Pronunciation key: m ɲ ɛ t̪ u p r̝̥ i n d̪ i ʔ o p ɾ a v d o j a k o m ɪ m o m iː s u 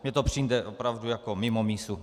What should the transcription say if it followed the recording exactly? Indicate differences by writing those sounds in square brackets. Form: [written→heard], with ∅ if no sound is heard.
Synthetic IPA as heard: m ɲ ɛ t̪ [u→o] p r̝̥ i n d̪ [i→ɛ] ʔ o p ɾ a v d [o→u] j a k o m ɪ m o m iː s u